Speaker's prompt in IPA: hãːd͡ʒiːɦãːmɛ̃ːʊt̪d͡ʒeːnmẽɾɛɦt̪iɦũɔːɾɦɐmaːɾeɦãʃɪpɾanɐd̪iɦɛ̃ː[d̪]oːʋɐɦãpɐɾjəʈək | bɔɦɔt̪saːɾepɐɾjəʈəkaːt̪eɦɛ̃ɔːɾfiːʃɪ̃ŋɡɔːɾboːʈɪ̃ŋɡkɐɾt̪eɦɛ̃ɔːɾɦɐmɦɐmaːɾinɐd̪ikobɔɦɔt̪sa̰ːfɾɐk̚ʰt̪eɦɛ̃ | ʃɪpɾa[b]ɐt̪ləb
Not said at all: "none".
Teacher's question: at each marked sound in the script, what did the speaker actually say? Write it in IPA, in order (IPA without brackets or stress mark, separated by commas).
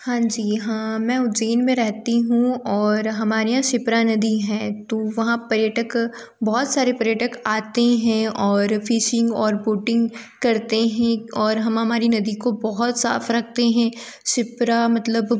t̪, m